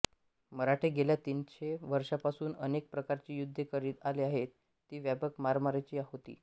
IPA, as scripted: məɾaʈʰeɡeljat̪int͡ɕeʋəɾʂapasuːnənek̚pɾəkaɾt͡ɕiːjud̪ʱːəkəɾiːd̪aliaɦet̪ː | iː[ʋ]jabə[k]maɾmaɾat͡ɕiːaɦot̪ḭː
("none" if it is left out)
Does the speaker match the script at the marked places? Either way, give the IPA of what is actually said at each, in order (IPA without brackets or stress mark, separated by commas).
ʋ, k